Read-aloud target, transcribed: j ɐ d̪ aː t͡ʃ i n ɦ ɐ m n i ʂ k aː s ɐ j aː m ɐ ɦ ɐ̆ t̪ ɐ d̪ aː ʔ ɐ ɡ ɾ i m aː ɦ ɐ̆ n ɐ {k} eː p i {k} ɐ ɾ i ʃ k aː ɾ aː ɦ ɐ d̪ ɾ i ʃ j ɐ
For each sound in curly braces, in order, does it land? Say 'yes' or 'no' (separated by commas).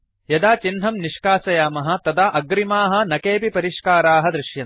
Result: yes, no